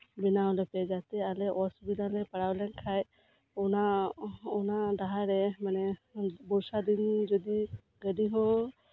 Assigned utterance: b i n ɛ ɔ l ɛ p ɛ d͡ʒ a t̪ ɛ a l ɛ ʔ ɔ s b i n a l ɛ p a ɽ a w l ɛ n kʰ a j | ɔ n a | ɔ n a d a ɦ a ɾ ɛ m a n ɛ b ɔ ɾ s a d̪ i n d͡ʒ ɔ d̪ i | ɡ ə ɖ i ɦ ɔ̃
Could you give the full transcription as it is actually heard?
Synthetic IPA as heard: b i n a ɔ l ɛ p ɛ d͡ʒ a t̪ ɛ a l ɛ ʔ ɔ s b i n a l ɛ p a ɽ a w l ɛ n kʰ a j | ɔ n a | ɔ n a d a ɦ a ɾ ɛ m a n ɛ b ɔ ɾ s a d̪ i n d͡ʒ ɔ d̪ i | ɡ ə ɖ i ɦ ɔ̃